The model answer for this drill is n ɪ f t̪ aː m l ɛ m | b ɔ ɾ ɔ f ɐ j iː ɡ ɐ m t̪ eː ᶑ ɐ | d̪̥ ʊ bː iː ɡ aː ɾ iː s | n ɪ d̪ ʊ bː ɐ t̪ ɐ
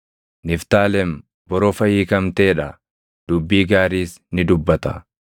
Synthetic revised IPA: n ɪ f t̪ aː l ɛ m | b ɔ ɾ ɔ f ɐ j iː k ɐ m t̪ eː ᶑ ɐ | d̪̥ ʊ bː iː ɡ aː ɾ iː s | n ɪ d̪ ʊ bː ɐ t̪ ɐ